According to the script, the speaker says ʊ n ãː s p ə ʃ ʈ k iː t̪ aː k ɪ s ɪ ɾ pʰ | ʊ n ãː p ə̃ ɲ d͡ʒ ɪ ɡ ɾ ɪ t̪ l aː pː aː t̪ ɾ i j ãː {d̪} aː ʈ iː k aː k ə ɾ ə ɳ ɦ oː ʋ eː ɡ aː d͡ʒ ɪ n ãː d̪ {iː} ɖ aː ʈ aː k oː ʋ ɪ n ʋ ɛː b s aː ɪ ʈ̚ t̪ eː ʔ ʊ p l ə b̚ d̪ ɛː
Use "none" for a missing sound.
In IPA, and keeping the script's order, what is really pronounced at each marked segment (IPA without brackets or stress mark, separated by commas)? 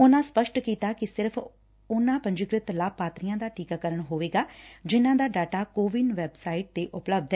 d̪, aː